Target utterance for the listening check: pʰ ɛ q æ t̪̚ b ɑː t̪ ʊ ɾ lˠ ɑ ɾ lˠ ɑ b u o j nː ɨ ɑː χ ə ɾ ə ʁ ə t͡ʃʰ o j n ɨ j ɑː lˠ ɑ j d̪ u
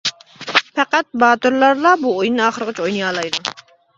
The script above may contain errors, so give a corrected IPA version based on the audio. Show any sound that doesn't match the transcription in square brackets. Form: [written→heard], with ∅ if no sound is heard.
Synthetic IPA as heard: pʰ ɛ q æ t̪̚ b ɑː t̪ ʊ ɾ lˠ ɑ ɾ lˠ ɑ b u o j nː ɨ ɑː χ ə ɾ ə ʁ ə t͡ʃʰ o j n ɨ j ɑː lˠ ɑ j d̪ u